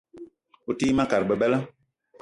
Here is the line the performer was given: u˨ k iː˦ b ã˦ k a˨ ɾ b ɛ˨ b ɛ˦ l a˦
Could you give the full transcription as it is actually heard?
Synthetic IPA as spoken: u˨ t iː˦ m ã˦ k a˨ ɾ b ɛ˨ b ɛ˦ l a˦